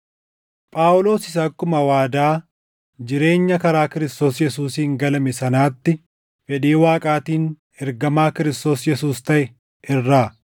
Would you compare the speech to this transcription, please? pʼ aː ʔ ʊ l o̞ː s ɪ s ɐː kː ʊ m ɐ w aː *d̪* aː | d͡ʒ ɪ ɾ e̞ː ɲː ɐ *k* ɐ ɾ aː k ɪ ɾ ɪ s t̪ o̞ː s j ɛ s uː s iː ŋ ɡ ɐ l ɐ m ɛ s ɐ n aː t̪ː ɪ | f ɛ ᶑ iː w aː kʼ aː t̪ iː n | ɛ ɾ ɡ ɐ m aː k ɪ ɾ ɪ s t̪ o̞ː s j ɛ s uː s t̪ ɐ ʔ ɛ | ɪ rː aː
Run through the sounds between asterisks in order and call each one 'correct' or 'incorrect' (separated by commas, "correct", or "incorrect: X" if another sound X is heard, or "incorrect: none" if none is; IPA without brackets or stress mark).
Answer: correct, correct